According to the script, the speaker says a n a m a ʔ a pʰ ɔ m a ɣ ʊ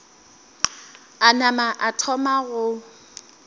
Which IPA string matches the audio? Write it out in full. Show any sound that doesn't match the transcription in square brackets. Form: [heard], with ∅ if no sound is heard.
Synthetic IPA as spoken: a n a m a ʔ a [tʰ] ɔ m a ɣ ʊ